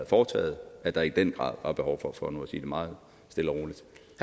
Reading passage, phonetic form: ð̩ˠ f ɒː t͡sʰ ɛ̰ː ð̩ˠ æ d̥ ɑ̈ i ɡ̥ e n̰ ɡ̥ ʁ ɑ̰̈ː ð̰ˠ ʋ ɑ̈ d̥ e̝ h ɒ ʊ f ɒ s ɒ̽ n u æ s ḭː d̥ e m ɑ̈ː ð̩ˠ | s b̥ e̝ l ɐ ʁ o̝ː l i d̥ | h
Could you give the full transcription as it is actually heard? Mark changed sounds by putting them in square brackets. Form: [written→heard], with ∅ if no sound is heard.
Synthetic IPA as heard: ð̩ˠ f ɒː t͡sʰ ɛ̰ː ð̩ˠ æ d̥ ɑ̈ i [ɡ̥→d̥] e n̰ ɡ̥ ʁ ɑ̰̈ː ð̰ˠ ʋ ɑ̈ [d̥→b̥] e̝ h ɒ ʊ f ɒ [s→f] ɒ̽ n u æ s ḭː d̥ e m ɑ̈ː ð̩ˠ | s [b̥→d̥] e̝ l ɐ ʁ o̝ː l i d̥ | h